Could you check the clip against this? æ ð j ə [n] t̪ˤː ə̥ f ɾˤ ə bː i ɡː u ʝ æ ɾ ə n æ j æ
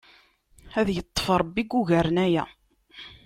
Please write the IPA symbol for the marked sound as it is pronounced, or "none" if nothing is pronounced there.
none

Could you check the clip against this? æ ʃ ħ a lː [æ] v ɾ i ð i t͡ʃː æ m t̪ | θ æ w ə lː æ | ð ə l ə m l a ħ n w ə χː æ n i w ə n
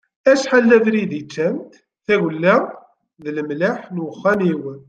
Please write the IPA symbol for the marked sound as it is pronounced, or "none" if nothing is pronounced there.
æ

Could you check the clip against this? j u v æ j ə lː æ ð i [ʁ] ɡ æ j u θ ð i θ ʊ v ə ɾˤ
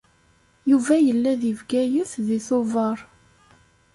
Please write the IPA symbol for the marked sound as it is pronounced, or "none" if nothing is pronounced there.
v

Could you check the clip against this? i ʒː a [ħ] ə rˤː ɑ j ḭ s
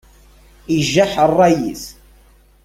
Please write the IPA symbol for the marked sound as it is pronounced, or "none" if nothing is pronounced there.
ħ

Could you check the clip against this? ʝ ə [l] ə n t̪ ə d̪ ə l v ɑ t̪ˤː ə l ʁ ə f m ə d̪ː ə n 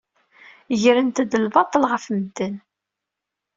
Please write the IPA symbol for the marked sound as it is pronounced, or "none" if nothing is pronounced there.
ɾ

